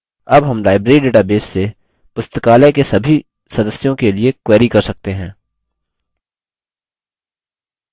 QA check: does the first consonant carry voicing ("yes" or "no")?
yes